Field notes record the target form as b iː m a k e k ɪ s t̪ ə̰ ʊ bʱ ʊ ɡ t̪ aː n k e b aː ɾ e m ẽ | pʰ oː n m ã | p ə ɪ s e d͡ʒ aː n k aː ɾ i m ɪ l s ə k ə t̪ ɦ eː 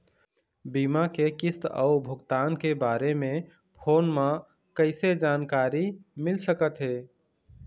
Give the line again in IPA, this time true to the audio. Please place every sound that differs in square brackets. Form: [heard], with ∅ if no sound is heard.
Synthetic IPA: b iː m a k e k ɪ s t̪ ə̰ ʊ bʱ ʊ ɡ t̪ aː n k e b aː ɾ e m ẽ | pʰ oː n m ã | [k] ə ɪ s e d͡ʒ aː n k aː ɾ i m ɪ l s ə k ə t̪ ɦ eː